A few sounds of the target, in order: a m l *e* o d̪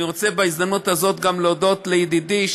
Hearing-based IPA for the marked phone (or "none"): e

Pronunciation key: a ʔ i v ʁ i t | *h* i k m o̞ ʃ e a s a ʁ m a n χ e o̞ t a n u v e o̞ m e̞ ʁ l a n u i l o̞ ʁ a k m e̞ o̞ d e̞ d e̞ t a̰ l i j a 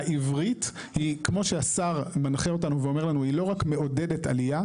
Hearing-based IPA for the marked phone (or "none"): h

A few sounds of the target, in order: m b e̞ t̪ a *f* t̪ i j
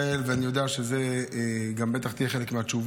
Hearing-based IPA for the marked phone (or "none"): χ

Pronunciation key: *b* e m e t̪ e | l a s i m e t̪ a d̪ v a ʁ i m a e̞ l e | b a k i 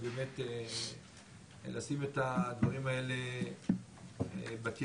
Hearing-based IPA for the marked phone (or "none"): b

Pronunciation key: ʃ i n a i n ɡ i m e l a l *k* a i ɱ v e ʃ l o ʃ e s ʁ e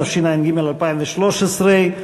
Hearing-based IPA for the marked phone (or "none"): p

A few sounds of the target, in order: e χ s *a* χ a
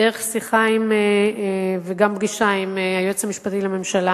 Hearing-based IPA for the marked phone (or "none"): i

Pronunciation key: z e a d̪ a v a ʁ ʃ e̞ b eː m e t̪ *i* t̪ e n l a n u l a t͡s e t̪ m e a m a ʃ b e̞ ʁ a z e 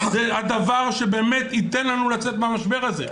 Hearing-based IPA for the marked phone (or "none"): i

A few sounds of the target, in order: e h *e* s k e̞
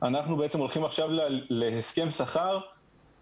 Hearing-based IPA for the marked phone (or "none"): e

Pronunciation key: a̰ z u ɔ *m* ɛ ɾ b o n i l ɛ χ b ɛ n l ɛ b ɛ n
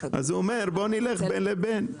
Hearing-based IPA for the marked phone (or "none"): m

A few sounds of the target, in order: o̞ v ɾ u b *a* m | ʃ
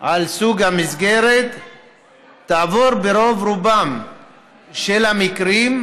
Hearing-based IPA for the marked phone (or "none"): a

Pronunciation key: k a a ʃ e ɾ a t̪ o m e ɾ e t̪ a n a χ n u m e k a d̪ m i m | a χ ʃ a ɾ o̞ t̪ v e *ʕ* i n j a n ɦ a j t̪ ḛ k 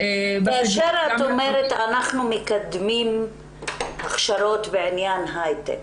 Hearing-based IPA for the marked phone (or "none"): ʕ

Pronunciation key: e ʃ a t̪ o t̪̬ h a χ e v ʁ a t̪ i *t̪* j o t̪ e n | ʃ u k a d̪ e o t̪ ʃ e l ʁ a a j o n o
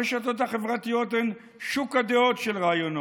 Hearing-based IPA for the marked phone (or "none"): none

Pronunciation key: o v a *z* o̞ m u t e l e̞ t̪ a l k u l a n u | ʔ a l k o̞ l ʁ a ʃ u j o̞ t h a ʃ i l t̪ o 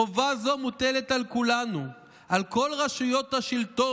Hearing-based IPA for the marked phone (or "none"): z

